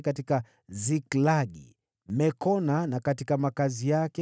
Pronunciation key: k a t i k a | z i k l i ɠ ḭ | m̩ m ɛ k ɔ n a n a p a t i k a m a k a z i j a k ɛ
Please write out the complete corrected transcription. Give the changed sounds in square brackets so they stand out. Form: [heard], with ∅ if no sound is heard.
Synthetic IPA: k a t i k a | z i k l [a] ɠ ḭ | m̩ m ɛ k ɔ n a n a [k] a t i k a m a k a z i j a k ɛ

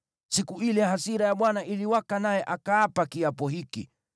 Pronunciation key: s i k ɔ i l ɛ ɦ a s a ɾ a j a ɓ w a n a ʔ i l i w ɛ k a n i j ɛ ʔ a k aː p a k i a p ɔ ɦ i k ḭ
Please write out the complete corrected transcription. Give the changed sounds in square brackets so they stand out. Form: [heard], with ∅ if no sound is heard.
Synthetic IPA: s i k [u] i l ɛ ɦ a s [i] ɾ a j a ɓ w a n a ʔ i l i w [a] k a n [a] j ɛ ʔ a k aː p a k i a p ɔ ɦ i k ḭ

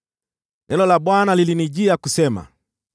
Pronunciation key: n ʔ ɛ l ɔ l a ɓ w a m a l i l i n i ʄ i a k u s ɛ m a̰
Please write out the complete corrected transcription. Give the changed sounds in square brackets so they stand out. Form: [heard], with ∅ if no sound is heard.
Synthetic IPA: n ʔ ɛ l ɔ l a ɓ w a [n] a l i l i n i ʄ i a k u s ɛ m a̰

